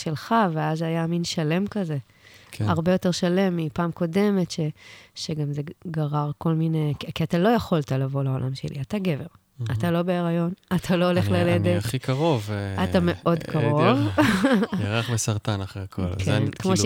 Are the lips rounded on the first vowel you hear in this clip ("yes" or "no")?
no